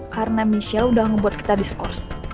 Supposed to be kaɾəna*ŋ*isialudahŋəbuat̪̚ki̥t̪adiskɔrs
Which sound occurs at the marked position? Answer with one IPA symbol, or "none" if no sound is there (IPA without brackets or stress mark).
m